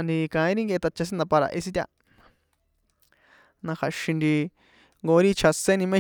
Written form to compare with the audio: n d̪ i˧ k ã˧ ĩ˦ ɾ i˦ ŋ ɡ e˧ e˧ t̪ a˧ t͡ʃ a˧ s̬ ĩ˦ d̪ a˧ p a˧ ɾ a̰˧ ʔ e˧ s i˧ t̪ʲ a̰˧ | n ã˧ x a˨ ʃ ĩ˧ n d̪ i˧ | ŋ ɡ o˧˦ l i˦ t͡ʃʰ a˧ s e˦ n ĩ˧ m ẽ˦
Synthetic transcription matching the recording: n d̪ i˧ k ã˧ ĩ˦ ɾ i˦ ŋ ɡ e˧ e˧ t̪ a˧ t͡ʃ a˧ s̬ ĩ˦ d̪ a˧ p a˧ ɾ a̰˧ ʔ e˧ s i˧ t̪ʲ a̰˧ | n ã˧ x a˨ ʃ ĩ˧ n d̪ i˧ | ŋ ɡ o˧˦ ɾ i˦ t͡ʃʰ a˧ s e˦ n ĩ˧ m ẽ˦

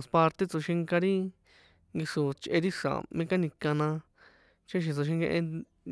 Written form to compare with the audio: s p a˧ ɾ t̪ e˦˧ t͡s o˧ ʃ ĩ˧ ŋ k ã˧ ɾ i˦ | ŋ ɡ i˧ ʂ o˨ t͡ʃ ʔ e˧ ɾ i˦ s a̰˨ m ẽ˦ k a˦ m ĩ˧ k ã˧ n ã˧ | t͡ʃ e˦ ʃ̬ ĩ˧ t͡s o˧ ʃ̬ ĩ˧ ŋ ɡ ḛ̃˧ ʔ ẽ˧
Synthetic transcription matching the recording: s p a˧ ɾ t̪ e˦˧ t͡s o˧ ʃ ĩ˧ ŋ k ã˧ ɾ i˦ | ŋ ɡ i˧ ʂ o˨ t͡ʃ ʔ e˧ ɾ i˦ ʂ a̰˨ m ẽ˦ k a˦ n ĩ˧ k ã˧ n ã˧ | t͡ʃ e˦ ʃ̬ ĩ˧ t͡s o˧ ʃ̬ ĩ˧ ŋ ɡ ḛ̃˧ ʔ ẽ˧

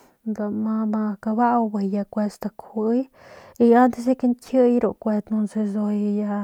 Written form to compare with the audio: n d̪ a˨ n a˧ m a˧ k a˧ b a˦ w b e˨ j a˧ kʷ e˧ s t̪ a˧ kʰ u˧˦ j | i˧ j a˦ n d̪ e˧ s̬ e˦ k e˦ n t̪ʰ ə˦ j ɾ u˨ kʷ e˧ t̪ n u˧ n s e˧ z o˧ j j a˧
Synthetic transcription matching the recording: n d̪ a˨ m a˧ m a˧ k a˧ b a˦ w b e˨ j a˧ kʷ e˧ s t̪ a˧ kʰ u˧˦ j | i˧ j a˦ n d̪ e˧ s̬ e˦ k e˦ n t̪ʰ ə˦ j ɾ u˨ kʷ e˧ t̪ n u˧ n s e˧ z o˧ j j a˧

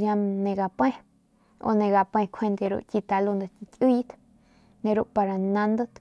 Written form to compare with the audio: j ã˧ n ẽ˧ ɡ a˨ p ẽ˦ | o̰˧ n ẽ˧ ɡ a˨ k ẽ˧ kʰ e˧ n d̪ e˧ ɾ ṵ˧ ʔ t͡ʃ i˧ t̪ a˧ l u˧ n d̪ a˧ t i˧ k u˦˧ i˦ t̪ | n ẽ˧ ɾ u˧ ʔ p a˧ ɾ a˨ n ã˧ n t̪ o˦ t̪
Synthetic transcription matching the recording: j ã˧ n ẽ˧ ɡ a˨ p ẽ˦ | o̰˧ n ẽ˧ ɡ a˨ p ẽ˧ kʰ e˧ n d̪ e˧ ɾ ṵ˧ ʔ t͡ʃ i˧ t̪ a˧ l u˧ n d̪ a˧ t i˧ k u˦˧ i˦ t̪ | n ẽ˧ ɾ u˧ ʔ p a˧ ɾ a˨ n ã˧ n d̪ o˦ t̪

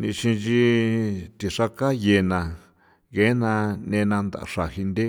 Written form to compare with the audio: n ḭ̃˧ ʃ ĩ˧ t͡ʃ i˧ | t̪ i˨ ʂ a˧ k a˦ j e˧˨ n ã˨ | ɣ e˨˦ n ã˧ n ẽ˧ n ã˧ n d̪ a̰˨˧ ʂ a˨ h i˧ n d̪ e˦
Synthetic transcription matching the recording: n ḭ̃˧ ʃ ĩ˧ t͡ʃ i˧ | t̪ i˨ ʂ a˧ k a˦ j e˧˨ n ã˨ | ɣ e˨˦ n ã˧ n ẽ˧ n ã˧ n d̪ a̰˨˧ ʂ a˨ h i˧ n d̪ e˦

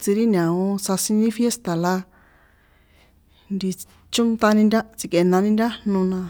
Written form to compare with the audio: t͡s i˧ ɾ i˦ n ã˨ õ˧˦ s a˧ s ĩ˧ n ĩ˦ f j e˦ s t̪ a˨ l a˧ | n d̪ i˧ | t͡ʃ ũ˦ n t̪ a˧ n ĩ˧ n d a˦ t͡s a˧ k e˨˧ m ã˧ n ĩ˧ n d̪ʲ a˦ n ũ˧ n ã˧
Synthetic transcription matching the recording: t͡s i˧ ɾ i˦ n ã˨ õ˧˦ s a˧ s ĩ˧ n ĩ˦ f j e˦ s t̪ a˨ l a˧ | n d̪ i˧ | t͡ʃ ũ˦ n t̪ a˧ n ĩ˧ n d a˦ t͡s i˧ k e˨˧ n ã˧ n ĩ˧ n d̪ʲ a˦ n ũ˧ n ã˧

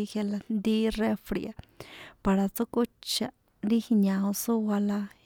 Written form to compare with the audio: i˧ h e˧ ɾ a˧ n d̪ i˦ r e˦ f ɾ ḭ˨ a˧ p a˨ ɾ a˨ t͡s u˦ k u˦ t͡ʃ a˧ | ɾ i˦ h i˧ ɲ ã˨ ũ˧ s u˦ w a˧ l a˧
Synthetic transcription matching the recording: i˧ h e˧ l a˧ n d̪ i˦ r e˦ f ɾ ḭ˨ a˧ p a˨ ɾ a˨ t͡s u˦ k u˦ t͡ʃ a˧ | ɾ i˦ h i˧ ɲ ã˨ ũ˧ s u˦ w a˧ l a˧

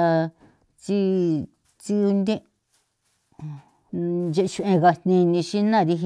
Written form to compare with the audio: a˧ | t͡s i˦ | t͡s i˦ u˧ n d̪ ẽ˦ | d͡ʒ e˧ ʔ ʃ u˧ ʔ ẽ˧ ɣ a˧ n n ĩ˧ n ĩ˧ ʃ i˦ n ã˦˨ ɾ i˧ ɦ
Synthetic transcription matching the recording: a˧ | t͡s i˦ | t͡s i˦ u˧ n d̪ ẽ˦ | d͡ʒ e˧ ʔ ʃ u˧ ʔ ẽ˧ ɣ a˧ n n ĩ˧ n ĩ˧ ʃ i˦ n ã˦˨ ɾ i˧ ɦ

